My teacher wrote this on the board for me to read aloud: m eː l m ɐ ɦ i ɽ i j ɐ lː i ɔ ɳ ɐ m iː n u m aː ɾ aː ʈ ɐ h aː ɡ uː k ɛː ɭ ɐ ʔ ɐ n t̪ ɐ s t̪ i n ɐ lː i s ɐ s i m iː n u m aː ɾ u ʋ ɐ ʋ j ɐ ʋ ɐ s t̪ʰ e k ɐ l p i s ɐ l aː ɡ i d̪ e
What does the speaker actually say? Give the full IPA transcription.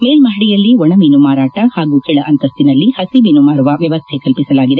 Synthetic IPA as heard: m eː l m ɐ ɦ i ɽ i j ɐ lː i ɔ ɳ ɐ m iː n u m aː ɾ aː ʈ ɐ h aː ɡ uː k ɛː ɭ ɐ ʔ ɐ n t̪ ɐ s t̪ i n ɐ lː i h ɐ s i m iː n u m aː ɾ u ʋ ɐ ʋ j ɐ ʋ ɐ s t̪ʰ e k ɐ l p i s ɐ l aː ɡ i d̪ e